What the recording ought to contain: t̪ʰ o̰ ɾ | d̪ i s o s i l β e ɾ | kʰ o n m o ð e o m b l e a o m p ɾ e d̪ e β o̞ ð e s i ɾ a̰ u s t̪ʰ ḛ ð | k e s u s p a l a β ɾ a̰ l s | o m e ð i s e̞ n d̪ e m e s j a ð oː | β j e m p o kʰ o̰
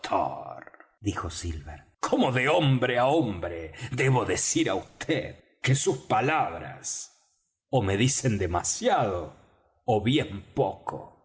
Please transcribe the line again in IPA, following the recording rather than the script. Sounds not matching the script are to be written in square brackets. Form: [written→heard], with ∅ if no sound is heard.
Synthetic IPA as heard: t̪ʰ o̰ ɾ | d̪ i [s→x] o s i l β e ɾ | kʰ o [n→∅] m o ð e o m b [l→ɾ] e a o m [p→b] ɾ e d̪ e β o̞ ð e s i ɾ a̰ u s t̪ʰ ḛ ð | k e s u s p a l a β ɾ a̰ [l→∅] s | o m e ð i s e̞ n d̪ e m [e→a] s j a ð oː | β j e m p o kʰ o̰

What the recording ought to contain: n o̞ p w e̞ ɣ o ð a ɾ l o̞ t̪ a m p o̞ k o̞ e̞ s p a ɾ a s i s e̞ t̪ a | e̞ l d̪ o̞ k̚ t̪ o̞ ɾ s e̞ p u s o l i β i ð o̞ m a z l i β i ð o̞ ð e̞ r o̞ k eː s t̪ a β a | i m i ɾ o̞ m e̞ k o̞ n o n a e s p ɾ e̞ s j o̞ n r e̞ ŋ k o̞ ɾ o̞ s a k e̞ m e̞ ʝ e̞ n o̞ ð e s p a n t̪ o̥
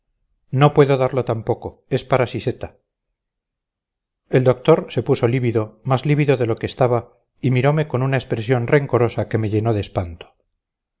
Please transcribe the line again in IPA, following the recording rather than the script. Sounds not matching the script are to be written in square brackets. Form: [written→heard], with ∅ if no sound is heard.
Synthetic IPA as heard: n o̞ p w e̞ [ɣ→ð] o ð a ɾ l o̞ t̪ a m p o̞ k o̞ e̞ s p a ɾ a s i s e̞ t̪ a | e̞ l d̪ o̞ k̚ t̪ o̞ ɾ s e̞ p u s o l i β i ð o̞ m a z l i β i ð o̞ ð e̞ [r→l] o̞ k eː s t̪ a β a | i m i ɾ o̞ m e̞ k o̞ n [o→u] n a e s p ɾ e̞ s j o̞ n r e̞ ŋ k o̞ ɾ o̞ s a k e̞ m e̞ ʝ e̞ n o̞ ð e s p a n t̪ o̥

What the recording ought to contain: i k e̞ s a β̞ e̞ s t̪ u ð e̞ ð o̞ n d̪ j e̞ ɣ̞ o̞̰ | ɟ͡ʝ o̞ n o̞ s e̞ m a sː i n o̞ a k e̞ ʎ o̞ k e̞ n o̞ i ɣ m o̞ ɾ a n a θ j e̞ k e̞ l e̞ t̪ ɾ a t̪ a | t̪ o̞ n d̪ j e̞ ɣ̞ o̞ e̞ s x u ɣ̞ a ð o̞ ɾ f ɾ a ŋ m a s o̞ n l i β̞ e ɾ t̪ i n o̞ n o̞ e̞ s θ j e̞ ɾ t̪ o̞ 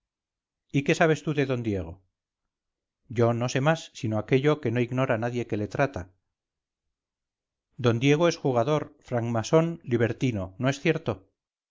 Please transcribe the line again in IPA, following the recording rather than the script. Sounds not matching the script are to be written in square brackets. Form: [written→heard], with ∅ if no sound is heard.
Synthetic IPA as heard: i k e̞ s a β̞ e̞ s t̪ u ð e̞ ð o̞ n d̪ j e̞ ɣ̞ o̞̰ | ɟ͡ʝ o̞ n o̞ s e̞ m a sː i n o̞ a k e̞ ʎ o̞ k e̞ n o̞ i ɣ [m→n] o̞ ɾ a n a [θ→ð] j e̞ k e̞ l e̞ t̪ ɾ a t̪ a | [t̪→d̪] o̞ n d̪ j e̞ ɣ̞ o̞ e̞ s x u ɣ̞ a ð o̞ ɾ f ɾ a ŋ m a s o̞ n l i β̞ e ɾ t̪ i n o̞ n o̞ e̞ s θ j e̞ ɾ t̪ o̞

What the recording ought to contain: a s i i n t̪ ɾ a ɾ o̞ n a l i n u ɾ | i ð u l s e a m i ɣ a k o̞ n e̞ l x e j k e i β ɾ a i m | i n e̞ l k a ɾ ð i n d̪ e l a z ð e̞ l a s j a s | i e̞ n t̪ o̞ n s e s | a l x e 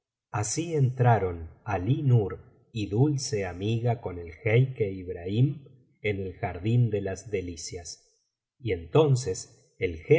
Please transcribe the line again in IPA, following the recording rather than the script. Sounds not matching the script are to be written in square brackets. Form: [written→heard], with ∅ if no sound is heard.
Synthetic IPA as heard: a s i [i→e] n t̪ ɾ a ɾ o̞ n a l i n u ɾ | i ð u l s e a m i ɣ a k o̞ n e̞ l x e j k e i β ɾ a i m | [i→e] n e̞ l [k→x] a ɾ ð i n d̪ e l a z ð e̞ l [a→i] s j a s | i e̞ n t̪ o̞ n s e s | [a→e] l x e

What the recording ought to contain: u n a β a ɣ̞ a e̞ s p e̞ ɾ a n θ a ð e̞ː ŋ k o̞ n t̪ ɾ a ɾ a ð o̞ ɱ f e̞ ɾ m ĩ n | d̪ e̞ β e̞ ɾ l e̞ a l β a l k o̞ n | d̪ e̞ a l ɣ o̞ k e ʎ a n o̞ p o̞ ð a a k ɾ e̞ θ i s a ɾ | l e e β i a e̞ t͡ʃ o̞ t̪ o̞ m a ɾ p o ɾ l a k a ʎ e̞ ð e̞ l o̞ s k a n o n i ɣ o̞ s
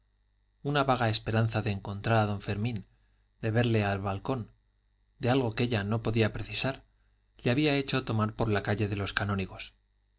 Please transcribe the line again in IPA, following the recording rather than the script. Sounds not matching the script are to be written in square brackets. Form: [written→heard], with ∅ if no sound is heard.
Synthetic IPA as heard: u n a β a ɣ̞ a e̞ s p e̞ ɾ a n θ a ð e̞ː ŋ k o̞ n t̪ ɾ a ɾ a ð o̞ ɱ f e̞ ɾ m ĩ n | d̪ e̞ β e̞ ɾ l e̞ a l β a l k o̞ n | d̪ e̞ a l ɣ o̞ k e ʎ a n o̞ p o̞ ð [a→i] a [k→p] ɾ e̞ θ i s a ɾ | l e [e→a] β i a e̞ t͡ʃ o̞ t̪ o̞ m a ɾ p o ɾ l a k a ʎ e̞ ð e̞ l o̞ s k a n o n i ɣ o̞ s

